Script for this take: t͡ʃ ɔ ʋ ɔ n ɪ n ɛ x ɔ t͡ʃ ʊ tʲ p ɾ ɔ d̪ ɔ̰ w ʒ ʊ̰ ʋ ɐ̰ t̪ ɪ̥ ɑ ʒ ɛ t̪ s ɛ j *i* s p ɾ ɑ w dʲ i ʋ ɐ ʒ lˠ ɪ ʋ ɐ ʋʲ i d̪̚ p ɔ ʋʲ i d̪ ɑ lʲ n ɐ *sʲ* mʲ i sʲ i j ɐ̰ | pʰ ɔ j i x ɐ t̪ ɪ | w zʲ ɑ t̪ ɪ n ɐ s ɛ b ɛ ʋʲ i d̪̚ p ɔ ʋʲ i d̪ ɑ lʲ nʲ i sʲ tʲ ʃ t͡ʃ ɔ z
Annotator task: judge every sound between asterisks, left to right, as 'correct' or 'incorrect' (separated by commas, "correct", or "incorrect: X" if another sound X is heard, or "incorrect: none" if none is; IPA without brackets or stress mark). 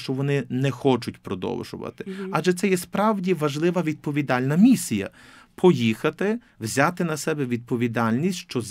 incorrect: ɛ, incorrect: none